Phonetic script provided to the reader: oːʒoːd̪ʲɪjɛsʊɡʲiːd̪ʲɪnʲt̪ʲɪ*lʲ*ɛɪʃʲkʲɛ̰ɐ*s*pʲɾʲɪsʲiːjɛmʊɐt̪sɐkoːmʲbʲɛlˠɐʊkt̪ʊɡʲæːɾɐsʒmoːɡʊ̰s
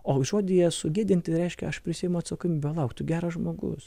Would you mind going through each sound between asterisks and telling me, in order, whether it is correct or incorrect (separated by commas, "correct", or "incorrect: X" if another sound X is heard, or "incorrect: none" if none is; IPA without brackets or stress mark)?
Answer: incorrect: ɾʲ, incorrect: ʃ